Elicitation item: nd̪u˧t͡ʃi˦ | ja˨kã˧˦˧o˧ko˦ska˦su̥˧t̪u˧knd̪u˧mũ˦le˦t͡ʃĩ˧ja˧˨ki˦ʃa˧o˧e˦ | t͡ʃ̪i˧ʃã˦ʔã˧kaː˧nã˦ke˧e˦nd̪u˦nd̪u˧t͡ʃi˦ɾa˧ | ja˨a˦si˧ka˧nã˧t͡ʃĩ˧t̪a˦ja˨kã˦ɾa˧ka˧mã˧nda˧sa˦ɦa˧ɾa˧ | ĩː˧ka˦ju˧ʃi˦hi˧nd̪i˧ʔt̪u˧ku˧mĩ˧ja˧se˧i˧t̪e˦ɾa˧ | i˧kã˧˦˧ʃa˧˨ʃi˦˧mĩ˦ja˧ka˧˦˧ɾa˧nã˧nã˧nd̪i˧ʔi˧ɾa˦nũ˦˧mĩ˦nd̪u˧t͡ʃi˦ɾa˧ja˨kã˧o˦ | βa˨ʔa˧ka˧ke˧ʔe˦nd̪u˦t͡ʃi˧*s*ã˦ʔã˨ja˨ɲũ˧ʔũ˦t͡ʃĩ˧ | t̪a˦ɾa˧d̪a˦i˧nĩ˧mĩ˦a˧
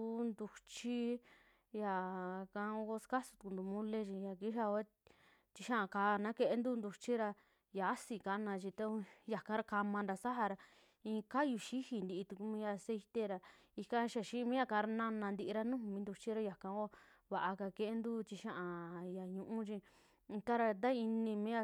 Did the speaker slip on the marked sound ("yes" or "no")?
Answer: yes